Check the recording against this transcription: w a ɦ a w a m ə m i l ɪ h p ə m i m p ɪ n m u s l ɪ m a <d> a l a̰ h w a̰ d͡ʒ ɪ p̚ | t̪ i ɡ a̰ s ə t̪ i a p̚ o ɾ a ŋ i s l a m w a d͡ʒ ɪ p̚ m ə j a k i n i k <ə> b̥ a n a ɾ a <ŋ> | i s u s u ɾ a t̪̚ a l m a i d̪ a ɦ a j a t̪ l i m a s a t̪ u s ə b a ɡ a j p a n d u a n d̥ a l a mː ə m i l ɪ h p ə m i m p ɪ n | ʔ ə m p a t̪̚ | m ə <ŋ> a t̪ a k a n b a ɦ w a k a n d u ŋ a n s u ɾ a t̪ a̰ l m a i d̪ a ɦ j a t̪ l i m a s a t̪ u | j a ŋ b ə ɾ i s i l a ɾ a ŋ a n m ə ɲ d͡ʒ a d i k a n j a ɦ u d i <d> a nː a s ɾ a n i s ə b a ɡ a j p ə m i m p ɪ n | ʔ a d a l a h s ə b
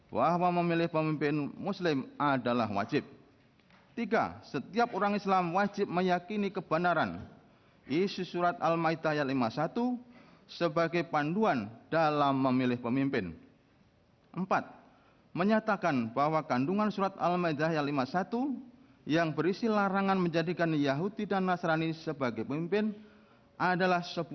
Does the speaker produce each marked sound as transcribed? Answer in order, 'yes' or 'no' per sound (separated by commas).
yes, yes, no, no, yes